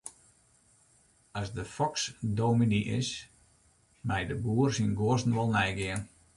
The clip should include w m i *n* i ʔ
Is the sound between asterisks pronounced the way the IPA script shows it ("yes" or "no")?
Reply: yes